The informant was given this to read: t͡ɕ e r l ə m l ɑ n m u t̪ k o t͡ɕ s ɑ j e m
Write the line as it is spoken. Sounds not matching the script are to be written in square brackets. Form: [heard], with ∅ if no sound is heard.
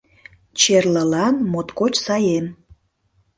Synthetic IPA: t͡ɕ e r l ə [∅] l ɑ n m [o] t̪ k o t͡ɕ s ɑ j e m